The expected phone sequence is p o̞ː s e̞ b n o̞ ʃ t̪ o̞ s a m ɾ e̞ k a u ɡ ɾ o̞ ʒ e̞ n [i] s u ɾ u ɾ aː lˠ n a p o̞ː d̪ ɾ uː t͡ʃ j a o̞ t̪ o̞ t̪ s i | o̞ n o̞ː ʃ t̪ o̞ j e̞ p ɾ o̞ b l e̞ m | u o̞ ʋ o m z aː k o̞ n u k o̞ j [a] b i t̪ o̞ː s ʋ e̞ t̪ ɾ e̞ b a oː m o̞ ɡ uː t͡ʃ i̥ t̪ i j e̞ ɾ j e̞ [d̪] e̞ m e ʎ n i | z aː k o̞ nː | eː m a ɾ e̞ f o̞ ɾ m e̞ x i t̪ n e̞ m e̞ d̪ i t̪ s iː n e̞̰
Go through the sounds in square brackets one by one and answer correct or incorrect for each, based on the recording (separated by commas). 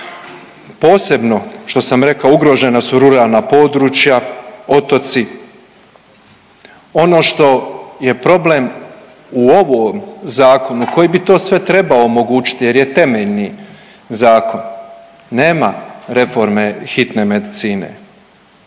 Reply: incorrect, incorrect, incorrect